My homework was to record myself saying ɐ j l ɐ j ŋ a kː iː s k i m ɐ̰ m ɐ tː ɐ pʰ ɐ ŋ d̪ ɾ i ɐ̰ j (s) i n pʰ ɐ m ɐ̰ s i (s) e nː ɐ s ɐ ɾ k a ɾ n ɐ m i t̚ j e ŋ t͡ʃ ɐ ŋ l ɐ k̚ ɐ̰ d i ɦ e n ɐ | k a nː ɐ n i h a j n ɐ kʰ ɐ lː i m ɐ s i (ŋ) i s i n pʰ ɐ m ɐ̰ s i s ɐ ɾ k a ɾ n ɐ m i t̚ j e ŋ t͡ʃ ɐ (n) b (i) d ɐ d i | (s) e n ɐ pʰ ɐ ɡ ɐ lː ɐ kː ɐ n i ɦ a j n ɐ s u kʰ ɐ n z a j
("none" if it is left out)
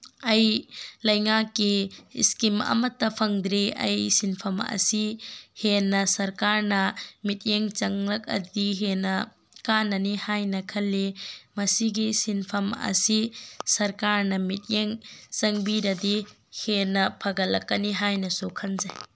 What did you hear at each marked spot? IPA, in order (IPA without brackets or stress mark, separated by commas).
s, h, ɡ, ŋ, i, h